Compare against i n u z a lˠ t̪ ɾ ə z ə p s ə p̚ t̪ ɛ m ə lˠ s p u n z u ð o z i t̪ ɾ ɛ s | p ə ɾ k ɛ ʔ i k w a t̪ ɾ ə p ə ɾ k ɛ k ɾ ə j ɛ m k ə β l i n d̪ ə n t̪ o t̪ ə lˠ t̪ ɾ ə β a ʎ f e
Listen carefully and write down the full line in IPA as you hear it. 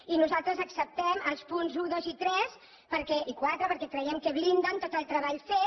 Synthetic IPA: i n u z a lˠ t̪ ɾ ə z ə k s ə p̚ t̪ ɛ m ə lˠ s p u n z u ð o z i t̪ ɾ ɛ s | p ə ɾ k ɛ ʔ i k w a t̪ ɾ ə p ə ɾ k ɛ k ɾ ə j ɛ m k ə β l i n d̪ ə n t̪ o t̪ ə lˠ t̪ ɾ ə β a ʎ f e